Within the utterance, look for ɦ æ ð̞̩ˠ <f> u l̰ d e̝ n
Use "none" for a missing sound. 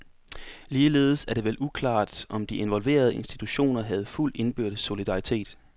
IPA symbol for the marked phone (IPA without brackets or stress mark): f